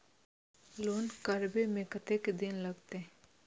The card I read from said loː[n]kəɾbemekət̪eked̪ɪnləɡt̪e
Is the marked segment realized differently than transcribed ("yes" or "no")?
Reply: no